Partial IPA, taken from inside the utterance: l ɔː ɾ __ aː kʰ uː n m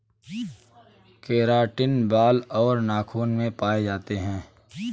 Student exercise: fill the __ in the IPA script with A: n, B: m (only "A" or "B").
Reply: A